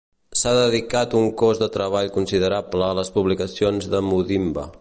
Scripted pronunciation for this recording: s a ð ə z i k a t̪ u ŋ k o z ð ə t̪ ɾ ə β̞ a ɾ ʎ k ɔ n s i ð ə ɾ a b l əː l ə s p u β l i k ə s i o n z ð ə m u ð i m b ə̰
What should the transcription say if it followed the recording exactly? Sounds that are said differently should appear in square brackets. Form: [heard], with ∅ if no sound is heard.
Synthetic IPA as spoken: s a ð ə [ð] i k a t̪ u ŋ k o z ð ə t̪ ɾ ə β̞ a [∅] ʎ k [u] n s i ð ə ɾ a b l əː l ə s p u β l i k ə s i o n z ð ə m u ð i m b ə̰